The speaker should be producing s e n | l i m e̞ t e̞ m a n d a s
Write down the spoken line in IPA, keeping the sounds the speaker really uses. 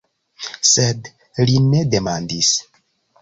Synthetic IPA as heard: s e d | l i n e̞ d e̞ m a n d i s